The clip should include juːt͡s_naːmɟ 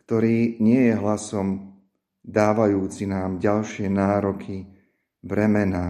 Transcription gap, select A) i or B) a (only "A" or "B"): A